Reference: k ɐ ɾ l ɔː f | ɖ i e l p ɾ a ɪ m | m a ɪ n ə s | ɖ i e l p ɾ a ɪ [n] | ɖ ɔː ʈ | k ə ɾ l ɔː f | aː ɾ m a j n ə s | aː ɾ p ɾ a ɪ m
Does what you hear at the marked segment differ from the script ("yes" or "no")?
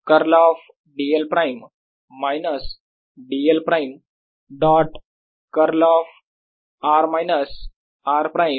yes